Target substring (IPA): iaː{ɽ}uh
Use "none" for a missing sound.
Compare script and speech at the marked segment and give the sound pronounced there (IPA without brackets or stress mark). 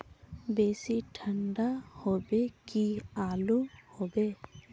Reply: l